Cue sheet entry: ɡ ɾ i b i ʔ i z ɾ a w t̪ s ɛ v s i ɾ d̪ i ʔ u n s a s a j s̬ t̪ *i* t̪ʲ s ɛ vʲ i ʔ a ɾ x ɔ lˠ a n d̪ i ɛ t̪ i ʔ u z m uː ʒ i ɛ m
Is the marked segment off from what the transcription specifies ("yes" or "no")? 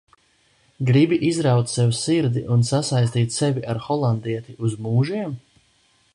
yes